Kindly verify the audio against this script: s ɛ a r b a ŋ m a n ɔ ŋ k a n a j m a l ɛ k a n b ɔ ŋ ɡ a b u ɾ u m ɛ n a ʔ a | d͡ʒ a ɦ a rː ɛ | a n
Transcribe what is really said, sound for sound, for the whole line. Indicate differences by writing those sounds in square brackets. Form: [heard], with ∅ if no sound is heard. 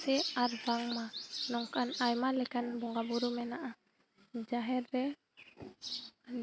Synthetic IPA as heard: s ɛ a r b a ŋ m a n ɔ ŋ k a n a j m a l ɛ k a n b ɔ ŋ ɡ a b u ɾ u m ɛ n a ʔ a | d͡ʒ a ɦ [ɛ] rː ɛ | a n